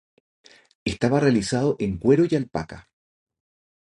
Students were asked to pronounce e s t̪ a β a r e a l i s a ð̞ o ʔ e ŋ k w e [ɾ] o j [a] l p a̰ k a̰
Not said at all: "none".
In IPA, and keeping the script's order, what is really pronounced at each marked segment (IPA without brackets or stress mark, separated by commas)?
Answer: ɾ, a